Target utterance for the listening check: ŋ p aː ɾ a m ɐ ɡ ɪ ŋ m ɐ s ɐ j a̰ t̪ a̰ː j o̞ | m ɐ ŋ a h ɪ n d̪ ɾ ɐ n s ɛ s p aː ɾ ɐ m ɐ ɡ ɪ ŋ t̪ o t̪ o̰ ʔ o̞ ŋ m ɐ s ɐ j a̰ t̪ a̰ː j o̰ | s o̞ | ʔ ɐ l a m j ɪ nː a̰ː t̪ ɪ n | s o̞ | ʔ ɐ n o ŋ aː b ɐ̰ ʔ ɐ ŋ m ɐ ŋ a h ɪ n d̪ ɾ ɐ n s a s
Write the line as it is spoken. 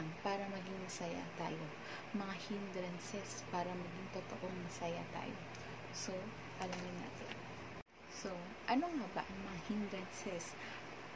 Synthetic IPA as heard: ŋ p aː ɾ ɐ m ɐ ɡ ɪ ŋ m ɐ s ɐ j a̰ t̪ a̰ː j o̞ | m ɐ ŋ a h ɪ n d̪ ɾ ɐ n s ɛ s p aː ɾ ɐ m ɐ ɡ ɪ ŋ t̪ o t̪ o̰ ʔ o̞ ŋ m ɐ s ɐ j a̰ t̪ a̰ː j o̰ | s o̞ | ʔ ɐ l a m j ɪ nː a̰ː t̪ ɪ n | s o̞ | ʔ ɐ n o ŋ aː b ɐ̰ ʔ ɐ ŋ m ɐ ŋ a h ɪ n d̪ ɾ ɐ n s ɛ s